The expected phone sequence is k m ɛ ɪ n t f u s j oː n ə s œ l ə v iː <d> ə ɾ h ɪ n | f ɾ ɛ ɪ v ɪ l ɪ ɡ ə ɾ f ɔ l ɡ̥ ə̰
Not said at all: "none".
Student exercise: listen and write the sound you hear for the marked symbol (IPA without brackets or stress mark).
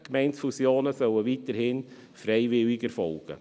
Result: t